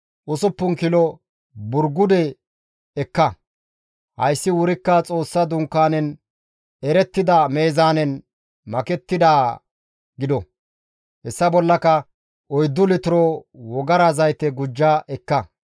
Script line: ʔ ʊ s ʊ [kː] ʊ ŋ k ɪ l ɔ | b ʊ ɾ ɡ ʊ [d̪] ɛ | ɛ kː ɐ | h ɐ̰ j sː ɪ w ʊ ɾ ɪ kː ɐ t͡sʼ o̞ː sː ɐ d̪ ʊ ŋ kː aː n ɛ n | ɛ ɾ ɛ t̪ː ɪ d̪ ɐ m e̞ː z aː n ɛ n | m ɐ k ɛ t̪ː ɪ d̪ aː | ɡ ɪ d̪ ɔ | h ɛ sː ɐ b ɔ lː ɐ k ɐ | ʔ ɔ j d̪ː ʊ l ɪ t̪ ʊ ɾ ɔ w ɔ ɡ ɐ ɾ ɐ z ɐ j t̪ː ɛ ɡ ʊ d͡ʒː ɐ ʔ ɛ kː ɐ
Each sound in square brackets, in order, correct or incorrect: incorrect, correct

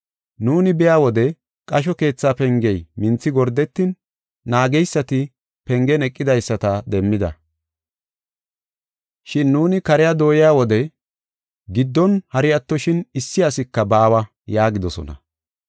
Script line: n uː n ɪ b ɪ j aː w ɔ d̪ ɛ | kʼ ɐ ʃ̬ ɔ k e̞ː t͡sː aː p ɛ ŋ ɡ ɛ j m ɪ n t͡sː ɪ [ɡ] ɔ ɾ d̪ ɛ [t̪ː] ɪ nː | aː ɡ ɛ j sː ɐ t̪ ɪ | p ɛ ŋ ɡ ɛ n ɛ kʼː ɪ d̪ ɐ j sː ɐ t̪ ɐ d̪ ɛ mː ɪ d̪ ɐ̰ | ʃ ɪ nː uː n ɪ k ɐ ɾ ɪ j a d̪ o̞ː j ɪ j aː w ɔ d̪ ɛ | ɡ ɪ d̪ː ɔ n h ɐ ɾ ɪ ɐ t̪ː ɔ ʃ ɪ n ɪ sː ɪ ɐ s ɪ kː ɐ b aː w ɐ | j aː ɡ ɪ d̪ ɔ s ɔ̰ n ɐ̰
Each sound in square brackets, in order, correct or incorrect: correct, correct

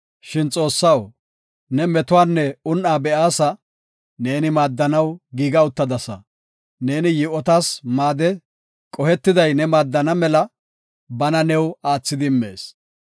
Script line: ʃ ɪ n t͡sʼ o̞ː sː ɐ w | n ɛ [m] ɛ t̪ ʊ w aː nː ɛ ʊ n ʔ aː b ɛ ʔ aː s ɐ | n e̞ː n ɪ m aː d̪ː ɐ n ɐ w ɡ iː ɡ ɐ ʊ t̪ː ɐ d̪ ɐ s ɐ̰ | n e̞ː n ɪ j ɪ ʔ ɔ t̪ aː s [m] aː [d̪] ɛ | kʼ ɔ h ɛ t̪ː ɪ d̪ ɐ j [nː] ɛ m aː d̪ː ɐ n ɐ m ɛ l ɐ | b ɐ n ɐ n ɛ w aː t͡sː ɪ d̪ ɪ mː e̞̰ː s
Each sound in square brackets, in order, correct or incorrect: correct, correct, correct, incorrect

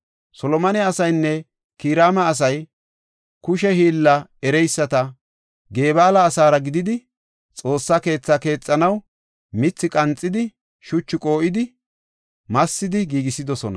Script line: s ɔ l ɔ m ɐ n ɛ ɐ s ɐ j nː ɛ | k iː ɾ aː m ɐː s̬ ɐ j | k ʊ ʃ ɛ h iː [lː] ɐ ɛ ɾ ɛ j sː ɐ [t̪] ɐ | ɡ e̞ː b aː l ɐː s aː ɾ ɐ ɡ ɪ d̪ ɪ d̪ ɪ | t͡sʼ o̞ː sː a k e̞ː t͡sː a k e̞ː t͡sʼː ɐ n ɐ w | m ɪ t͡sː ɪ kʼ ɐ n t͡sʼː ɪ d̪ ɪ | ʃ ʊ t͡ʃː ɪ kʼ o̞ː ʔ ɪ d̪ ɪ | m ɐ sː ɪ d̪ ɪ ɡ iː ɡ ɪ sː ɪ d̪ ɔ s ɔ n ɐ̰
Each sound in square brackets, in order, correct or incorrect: correct, correct

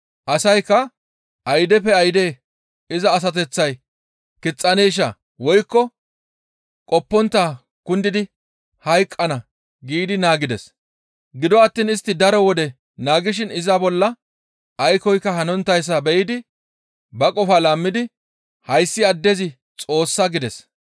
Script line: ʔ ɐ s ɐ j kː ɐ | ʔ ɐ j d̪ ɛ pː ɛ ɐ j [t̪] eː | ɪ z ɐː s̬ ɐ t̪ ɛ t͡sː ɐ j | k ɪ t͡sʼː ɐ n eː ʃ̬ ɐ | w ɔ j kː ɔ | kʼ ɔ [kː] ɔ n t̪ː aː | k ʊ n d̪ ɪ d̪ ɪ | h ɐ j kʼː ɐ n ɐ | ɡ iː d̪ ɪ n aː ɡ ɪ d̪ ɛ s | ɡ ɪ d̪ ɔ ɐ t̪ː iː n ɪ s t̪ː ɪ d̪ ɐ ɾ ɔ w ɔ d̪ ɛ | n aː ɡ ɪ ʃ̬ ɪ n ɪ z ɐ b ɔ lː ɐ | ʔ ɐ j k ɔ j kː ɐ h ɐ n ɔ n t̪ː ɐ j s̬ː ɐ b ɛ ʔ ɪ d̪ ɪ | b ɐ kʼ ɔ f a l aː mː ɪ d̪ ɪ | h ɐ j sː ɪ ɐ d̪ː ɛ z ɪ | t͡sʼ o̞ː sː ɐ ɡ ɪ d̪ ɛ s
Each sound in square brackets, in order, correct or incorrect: incorrect, incorrect

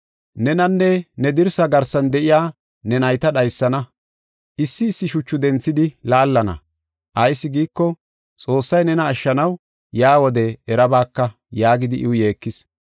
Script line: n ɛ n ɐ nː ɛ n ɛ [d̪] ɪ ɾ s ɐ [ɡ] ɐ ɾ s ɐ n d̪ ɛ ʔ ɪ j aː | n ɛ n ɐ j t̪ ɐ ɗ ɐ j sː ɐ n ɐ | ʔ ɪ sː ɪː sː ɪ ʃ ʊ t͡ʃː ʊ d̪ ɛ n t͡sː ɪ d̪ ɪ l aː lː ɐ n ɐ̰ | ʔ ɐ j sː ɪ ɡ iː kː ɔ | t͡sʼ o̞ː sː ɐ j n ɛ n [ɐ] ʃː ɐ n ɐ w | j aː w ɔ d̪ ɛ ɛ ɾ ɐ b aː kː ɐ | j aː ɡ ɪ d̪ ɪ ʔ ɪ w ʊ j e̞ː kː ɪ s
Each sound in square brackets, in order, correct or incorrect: correct, correct, incorrect

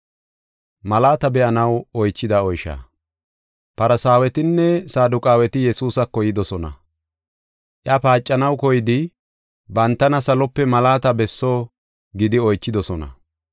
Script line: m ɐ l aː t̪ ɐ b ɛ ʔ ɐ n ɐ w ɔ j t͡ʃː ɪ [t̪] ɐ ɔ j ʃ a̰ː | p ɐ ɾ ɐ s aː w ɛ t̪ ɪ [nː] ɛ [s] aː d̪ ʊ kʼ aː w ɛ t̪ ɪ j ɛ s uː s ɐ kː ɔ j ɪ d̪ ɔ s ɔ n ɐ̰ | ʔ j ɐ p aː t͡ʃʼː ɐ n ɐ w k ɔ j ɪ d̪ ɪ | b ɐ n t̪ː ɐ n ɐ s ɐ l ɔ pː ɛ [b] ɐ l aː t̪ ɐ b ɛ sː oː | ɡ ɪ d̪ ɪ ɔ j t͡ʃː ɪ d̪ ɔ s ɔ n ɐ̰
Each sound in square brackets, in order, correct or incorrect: incorrect, correct, correct, incorrect

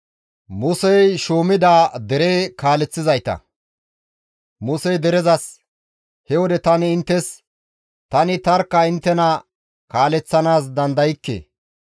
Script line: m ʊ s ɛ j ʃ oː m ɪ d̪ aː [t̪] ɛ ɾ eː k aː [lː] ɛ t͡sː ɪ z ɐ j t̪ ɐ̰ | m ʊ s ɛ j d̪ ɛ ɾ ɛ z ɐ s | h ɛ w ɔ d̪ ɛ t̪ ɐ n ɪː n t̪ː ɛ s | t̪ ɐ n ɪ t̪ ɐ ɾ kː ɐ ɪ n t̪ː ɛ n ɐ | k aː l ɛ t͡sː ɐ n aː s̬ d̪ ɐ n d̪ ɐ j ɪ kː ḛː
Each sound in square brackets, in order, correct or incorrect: incorrect, incorrect

